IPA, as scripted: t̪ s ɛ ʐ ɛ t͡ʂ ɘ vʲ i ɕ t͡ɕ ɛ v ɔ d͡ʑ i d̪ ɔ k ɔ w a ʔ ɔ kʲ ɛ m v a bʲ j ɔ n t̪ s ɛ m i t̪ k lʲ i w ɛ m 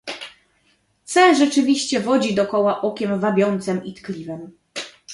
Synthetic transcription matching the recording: t̪ s ɛ ʐ ɛ t͡ʂ ɘ vʲ i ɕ t͡ɕ ɛ v ɔ d͡ʑ i d̪ ɔ k ɔ w a ʔ ɔ kʲ ɛ m v a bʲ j ɔ n t̪ s ɛ m i t̪ k lʲ i v ɛ m

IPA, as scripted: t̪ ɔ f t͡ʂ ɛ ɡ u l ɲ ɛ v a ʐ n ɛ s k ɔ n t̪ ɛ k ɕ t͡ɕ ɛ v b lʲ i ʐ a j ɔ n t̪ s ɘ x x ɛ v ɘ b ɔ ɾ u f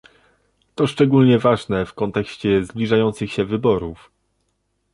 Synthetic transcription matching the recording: t̪ ɔ ʂ t͡ʂ ɛ ɡ u l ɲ ɛ v a ʐ n ɛ f k ɔ n t̪ ɛ k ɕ t͡ɕ ɛ z b lʲ i ʐ a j ɔ n t̪ s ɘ x ɕ ɛ v ɘ b ɔ ɾ u f

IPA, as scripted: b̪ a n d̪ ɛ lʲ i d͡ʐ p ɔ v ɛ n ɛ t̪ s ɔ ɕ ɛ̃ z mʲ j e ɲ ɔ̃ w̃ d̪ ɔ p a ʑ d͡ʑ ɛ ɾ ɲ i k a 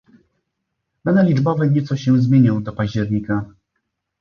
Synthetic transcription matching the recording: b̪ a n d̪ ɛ lʲ i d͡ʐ b ɔ v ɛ ɲ ɛ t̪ s ɔ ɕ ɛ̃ z mʲ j e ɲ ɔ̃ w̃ d̪ ɔ p a ʑ d͡ʑ ɛ ɾ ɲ i k a

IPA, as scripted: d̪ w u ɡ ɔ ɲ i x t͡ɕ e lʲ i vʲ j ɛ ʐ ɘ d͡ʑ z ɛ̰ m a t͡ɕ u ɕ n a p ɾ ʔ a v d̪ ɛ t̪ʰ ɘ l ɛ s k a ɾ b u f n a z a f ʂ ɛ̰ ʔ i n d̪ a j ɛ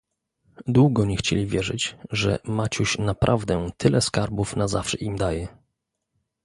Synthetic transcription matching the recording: d̪ w u ɡ ɔ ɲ ɛ x t͡ɕ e lʲ i vʲ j ɛ ʐ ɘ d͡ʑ ʐ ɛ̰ m a t͡ɕ u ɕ n a p ɾ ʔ a v d̪ ɛ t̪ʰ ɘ l ɛ s k a ɾ b u f n a z a f ʂ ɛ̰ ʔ i m d̪ a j ɛ

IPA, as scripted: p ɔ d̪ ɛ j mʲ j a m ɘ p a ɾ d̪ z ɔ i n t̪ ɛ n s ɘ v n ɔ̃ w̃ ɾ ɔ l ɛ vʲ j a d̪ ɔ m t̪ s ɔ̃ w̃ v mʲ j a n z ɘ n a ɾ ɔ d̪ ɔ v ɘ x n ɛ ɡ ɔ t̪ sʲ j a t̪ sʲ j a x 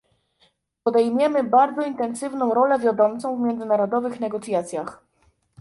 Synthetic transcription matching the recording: p ɔ d̪ ɛ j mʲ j ɛ m ɘ b a ɾ d̪ z ɔ i n t̪ ɛ n s ɘ v n ɔ̃ w̃ ɾ ɔ l ɛ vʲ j a d̪ ɔ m t̪ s ɔ̃ w̃ v mʲ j ɛ n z ɘ n a ɾ ɔ d̪ ɔ v ɘ x n ɛ ɡ ɔ t̪ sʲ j a t̪ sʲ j a x

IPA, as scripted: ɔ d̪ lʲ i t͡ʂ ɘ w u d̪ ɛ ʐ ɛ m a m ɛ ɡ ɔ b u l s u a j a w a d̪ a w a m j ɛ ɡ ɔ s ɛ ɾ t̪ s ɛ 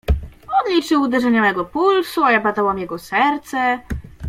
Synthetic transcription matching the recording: ɔ d̪ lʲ i t͡ʂ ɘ w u d̪ ɛ ʐ ɛ ɲ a m ɛ ɡ ɔ p u l s u a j a b a d̪ a w a m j ɛ ɡ ɔ s ɛ ɾ t̪ s ɛ

